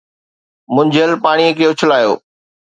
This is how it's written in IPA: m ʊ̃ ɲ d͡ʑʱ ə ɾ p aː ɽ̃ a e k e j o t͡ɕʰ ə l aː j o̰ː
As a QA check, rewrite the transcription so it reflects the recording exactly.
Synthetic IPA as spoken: m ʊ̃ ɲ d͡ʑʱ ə l p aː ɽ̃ i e k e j o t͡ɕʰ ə l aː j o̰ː